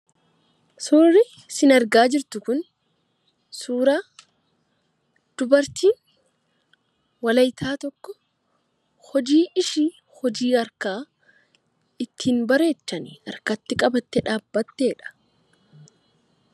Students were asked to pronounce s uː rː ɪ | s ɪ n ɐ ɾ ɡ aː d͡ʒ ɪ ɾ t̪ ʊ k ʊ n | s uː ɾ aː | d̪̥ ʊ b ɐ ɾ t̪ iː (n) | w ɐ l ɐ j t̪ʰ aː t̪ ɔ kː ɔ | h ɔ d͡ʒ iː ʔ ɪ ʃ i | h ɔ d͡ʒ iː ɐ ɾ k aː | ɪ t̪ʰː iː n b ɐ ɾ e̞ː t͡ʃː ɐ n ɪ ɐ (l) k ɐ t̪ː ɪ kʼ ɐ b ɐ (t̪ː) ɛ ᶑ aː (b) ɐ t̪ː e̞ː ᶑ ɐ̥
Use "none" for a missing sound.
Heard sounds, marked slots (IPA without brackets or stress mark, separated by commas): n, ɾ, t̪ː, bː